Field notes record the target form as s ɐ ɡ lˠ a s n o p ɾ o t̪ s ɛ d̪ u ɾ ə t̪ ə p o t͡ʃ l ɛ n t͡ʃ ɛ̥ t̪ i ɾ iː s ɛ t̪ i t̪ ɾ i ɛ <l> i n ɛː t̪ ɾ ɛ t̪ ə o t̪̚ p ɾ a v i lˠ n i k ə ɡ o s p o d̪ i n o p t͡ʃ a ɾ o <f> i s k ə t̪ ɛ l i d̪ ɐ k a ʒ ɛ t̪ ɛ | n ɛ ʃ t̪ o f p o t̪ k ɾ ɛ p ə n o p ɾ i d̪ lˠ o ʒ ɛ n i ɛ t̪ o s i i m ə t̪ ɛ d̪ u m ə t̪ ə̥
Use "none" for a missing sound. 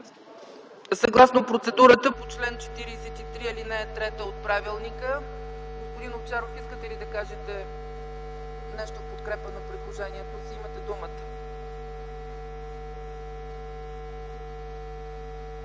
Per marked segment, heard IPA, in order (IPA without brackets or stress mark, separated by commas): l, f